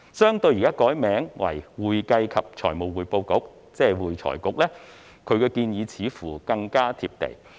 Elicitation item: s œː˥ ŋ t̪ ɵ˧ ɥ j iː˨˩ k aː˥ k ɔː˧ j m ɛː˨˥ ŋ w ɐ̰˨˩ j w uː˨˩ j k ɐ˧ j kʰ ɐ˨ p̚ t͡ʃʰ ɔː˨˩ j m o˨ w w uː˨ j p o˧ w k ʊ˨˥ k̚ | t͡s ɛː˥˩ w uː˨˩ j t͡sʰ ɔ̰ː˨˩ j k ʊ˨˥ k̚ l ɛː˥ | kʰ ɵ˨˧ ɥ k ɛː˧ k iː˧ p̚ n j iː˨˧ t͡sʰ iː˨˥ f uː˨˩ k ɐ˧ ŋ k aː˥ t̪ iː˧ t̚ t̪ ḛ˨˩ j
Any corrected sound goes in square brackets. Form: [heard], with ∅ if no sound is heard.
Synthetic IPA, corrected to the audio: s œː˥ ŋ t̪ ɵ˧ ɥ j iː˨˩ k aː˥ k [ɔː˨˥] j m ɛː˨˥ ŋ w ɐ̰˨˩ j w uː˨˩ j k ɐ˧ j kʰ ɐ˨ p̚ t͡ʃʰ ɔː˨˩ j m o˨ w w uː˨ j p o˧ w k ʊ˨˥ k̚ | t͡s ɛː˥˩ w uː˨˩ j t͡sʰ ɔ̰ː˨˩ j k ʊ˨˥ k̚ l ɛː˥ | kʰ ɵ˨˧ ɥ k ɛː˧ k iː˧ [∅] n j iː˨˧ t͡sʰ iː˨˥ f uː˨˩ k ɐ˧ ŋ k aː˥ [t̪ʰ] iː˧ [p̚] t̪ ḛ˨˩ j